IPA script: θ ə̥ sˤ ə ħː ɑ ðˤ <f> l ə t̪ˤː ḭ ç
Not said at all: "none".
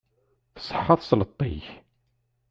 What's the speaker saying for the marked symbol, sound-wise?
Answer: s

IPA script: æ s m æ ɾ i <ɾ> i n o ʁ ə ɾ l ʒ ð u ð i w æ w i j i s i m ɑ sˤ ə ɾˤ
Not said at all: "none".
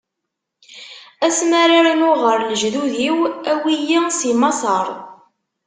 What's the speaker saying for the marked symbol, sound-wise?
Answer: ɾ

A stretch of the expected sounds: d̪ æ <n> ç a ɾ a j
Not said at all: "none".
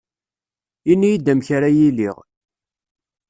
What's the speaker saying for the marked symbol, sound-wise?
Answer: m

